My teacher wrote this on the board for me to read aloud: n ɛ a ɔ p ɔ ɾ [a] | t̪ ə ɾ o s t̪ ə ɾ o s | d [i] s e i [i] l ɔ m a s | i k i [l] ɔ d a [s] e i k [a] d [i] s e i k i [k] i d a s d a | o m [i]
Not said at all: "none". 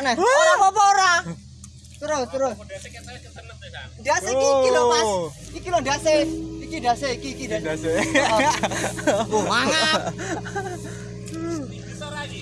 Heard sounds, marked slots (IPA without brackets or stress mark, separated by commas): a, a, i, l, s, i, a, k, a